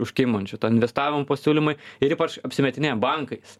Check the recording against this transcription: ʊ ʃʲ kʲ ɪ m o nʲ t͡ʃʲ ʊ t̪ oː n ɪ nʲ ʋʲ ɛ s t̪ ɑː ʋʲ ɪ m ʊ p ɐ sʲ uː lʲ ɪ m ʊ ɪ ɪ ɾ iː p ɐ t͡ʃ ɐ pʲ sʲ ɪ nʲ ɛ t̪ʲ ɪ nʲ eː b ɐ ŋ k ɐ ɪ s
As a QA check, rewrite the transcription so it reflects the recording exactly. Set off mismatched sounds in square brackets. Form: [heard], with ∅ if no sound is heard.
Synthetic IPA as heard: ʊ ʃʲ kʲ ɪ m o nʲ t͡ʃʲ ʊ t̪ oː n ɪ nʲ ʋʲ ɛ s t̪ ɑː ʋʲ ɪ m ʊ p ɐ sʲ uː lʲ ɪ m ʊ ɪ ɪ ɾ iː p ɐ t͡ʃ ɐ pʲ sʲ ɪ [mʲ] ɛ t̪ʲ ɪ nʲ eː b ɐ ŋ k ɐ ɪ s